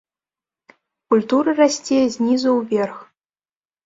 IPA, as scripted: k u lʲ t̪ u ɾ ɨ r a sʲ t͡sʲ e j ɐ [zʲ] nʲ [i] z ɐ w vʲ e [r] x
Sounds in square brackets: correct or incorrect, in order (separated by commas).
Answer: correct, correct, correct